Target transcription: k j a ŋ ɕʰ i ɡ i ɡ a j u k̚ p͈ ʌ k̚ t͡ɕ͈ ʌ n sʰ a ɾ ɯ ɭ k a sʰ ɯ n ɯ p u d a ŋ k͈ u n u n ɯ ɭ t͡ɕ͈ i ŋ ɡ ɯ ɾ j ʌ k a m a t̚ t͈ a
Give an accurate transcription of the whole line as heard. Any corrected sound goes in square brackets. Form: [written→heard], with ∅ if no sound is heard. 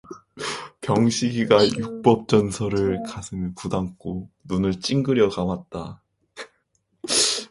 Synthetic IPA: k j [a→ʌ] ŋ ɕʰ i ɡ i ɡ a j u k̚ p͈ ʌ [k̚→p̚] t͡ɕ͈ ʌ n sʰ [a→ʌ] ɾ ɯ ɭ k a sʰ ɯ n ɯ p u d a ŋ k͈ [u→o] n u n ɯ ɭ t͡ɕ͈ i ŋ ɡ ɯ ɾ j ʌ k a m a t̚ t͈ a